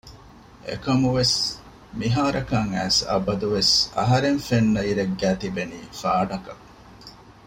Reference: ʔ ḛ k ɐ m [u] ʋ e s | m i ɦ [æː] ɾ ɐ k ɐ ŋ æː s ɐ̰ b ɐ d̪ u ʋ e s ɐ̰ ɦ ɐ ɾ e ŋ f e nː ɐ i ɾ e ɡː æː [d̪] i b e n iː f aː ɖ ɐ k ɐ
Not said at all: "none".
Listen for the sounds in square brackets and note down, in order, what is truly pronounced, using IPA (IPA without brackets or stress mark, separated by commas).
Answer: u, aː, t̪